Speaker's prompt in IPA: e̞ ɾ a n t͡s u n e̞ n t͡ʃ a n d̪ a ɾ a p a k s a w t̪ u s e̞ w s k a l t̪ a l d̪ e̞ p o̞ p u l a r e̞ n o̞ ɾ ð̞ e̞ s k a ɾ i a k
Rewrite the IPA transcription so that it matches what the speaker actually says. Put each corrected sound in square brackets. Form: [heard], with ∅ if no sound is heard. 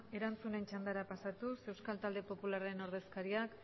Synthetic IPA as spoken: e̞ ɾ a n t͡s u n e̞ n t͡ʃ a n d̪ a ɾ a p a [∅] s a [∅] t̪ u s e̞ w s k a l t̪ a l d̪ e̞ p o̞ p u l a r e̞ n o̞ ɾ ð̞ e̞ s k a ɾ i a k